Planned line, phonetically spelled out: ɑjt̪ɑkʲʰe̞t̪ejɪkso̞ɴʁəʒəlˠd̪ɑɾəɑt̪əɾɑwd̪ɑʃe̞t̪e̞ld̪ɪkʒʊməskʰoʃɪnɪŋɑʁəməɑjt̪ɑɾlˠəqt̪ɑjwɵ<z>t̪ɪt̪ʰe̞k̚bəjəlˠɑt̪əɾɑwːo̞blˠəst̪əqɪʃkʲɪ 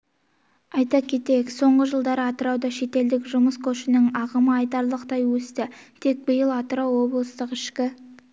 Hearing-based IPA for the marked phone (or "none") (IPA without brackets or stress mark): s